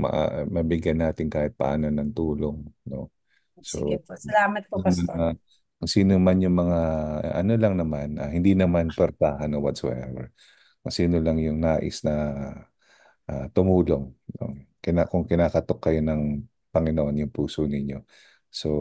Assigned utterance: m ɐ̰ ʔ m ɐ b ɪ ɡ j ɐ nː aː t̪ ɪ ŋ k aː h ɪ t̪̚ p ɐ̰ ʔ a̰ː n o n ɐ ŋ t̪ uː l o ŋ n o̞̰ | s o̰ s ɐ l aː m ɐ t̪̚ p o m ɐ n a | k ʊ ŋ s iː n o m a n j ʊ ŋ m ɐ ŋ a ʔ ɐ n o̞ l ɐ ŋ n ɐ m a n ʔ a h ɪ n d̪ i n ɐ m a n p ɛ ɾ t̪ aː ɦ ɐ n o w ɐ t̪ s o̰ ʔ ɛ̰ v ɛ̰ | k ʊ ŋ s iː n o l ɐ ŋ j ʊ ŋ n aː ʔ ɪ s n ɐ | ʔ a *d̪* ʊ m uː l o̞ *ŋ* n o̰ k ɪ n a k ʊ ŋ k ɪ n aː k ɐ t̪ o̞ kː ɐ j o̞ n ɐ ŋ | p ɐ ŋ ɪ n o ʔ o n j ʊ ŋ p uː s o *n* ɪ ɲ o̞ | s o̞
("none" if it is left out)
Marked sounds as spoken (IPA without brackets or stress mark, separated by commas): t̪, ŋ, n